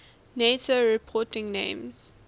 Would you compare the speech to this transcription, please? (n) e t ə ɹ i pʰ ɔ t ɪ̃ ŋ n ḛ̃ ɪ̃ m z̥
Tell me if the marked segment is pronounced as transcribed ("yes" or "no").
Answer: yes